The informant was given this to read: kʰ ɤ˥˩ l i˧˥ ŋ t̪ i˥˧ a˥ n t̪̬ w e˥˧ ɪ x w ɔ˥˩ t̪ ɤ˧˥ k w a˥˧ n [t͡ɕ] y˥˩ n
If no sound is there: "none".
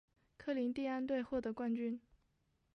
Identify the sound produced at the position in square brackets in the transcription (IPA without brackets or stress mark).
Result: t͡ɕ